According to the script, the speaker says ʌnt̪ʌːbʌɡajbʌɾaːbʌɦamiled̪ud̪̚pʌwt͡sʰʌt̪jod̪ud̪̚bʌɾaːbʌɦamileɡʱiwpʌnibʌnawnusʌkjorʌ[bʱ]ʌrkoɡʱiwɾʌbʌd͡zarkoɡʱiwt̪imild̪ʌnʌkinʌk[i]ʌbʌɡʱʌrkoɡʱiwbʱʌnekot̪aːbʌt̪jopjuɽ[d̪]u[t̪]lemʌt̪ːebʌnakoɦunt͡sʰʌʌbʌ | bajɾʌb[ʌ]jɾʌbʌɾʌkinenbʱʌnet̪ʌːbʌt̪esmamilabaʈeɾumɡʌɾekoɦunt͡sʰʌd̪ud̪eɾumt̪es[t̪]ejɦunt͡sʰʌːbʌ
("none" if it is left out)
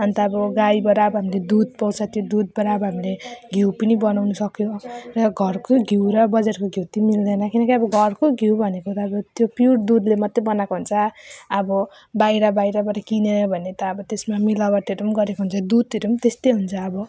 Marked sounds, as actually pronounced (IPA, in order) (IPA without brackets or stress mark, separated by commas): ɡʱ, i, d̪, d̪, a, t̪